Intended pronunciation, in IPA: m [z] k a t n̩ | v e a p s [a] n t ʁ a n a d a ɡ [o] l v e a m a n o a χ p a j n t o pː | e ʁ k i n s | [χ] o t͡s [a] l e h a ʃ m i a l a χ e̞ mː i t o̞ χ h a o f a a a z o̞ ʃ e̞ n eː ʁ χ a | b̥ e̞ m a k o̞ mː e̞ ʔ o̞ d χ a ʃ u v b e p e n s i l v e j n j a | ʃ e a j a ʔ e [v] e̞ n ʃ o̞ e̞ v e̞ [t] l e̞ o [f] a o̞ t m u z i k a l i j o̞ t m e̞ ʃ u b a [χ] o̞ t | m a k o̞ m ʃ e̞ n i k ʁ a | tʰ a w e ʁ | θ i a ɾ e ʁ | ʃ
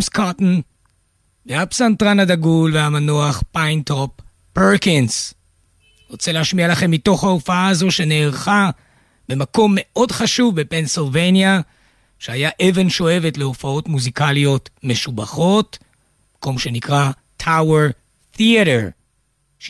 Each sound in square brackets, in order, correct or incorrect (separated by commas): incorrect, correct, incorrect, incorrect, incorrect, correct, correct, correct, correct